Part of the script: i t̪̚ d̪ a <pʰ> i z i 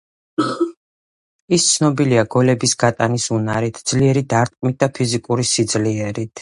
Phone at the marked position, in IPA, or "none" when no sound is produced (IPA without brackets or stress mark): pʰ